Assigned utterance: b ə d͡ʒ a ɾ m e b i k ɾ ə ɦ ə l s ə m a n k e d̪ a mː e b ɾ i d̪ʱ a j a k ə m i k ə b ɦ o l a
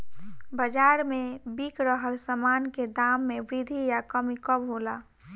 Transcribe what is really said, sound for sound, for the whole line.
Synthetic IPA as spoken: b ə d͡ʒ a ɾ m e b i k ɾ ə ɦ ə l s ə m a n k e d̪ a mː e b ɾ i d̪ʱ i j a k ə m i k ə b ɦ o l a